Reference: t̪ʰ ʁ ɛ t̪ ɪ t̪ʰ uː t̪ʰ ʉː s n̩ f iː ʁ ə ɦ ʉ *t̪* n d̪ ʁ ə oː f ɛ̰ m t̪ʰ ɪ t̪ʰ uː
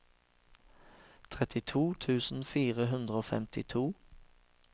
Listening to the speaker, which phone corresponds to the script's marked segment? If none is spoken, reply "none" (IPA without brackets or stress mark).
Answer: none